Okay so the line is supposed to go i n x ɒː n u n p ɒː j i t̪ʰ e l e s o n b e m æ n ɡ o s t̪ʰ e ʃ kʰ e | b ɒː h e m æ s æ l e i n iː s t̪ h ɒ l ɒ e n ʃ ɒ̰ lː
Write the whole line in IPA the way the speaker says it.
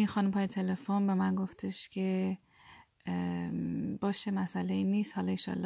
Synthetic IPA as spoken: i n x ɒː n u m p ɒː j e t̪ʰ e l e f o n b e m æ n ɡ o f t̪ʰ e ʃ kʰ e | b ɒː ʃ e m æ s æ l e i n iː s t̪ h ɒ l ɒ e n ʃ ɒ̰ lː